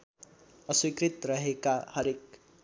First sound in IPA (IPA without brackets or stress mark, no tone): ʌ